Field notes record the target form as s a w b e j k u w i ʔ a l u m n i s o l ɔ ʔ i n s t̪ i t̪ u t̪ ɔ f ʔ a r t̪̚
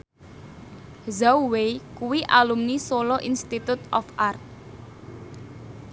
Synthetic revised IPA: z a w w e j k u w i ʔ a l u m n i s o l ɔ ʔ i n s t̪ i t̪ u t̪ ɔ f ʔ a r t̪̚